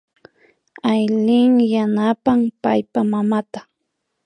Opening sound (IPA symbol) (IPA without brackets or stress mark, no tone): a